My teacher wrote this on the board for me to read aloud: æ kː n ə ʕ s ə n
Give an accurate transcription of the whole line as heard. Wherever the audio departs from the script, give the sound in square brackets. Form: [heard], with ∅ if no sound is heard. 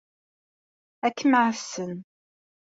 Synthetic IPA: æ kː [m] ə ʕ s ə n